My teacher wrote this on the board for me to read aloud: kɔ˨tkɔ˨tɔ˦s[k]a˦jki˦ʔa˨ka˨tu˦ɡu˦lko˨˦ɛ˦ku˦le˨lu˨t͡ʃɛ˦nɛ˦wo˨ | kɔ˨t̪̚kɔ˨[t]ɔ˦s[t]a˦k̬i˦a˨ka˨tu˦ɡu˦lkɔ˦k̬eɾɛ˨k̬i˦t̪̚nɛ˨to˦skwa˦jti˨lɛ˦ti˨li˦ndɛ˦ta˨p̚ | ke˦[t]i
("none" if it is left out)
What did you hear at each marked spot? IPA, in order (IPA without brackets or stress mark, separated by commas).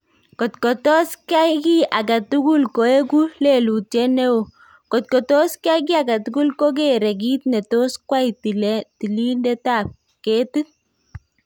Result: k, t, k, t